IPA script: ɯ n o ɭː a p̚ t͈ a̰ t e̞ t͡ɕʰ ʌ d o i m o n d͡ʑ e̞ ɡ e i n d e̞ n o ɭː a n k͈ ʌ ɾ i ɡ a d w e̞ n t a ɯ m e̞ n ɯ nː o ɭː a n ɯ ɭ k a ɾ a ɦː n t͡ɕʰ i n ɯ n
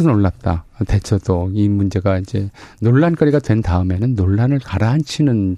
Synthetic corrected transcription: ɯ n o ɭː a p̚ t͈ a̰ t e̞ t͡ɕʰ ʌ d o i m u n d͡ʑ e̞ ɡ a i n d͡ʑ e̞ n o ɭː a n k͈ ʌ ɾ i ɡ a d w e̞ n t a ɯ m e̞ n ɯ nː o ɭː a n ɯ ɭ k a ɾ a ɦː n t͡ɕʰ i n ɯ n